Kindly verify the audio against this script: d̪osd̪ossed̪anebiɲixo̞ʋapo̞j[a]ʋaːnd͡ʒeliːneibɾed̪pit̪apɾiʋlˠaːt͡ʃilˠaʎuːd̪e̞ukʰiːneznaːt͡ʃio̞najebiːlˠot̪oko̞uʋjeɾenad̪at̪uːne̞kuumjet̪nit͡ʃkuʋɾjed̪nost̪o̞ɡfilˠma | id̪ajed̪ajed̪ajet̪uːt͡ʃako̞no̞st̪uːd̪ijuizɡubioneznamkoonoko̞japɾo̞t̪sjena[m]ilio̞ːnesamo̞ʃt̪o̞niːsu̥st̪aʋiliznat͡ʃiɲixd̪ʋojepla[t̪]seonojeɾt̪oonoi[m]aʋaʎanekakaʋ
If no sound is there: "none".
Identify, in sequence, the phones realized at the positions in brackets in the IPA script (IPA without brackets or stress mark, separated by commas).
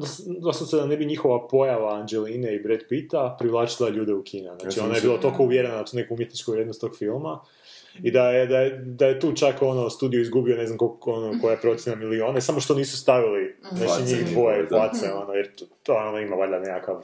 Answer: a, m, t̪, m